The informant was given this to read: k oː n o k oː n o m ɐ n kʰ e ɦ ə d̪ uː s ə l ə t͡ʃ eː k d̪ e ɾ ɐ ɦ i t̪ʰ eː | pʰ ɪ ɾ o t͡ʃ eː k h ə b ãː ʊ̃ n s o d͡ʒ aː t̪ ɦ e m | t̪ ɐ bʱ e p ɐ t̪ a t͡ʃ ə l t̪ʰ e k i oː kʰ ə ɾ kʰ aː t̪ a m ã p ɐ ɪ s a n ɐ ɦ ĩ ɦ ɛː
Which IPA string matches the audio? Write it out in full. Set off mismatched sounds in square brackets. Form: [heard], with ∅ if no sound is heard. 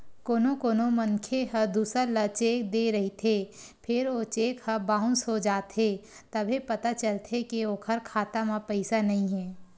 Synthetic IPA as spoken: k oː n o k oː n o m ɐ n kʰ e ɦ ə d̪ uː s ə l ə t͡ʃ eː k d̪ e ɾ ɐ ɦ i t̪ʰ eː | pʰ ɪ ɾ o t͡ʃ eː k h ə b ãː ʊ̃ n s o d͡ʒ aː t̪ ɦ e [∅] | t̪ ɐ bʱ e p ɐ t̪ a t͡ʃ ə l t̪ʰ e k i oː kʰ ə ɾ kʰ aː t̪ a m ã p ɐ ɪ s a n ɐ ɦ ĩ ɦ ɛː